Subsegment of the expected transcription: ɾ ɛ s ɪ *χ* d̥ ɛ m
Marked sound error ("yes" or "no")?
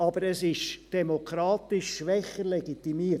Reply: yes